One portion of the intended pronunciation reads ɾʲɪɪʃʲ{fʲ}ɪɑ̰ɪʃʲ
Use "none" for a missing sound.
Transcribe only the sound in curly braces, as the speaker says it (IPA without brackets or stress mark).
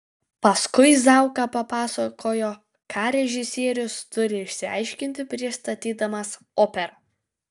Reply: sʲ